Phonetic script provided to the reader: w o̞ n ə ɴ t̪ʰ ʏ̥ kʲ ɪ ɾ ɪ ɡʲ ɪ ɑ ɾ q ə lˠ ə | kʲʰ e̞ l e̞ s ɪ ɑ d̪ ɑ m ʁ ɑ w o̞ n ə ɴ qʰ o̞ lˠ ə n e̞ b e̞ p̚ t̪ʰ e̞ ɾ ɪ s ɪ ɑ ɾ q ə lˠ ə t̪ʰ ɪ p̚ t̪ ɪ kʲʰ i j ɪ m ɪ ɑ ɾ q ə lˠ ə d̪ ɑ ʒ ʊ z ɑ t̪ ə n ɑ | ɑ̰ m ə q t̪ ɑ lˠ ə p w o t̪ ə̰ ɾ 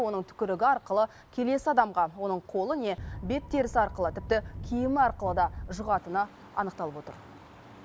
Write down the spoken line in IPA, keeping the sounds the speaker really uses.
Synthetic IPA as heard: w o̞ n ə ɴ t̪ʰ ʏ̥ kʲ ɪ ɾ ɪ ɡʲ ɪ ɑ ɾ q ə lˠ ə | kʲʰ e̞ l e̞ s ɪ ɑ d̪ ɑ m ʁ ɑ w o̞ n ə ɴ qʰ o̞ lˠ ə n e̞ b e̞ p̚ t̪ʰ e̞ ɾ ɪ s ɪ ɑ ɾ q ə lˠ ə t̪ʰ ɪ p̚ t̪ ɪ kʲʰ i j ɪ m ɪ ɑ ɾ q ə lˠ ə d̪ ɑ ʒ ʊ ʁ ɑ t̪ ə n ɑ | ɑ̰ n ə q t̪ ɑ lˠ ə p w o t̪ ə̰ ɾ